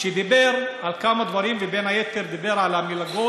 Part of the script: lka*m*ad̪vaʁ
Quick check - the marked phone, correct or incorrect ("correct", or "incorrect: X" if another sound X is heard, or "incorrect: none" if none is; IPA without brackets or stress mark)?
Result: correct